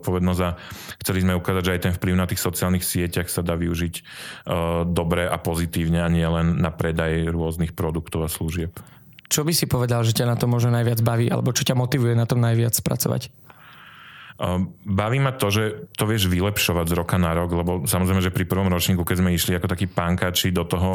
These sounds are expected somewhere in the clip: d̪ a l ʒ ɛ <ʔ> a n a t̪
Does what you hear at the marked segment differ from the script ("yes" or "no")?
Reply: yes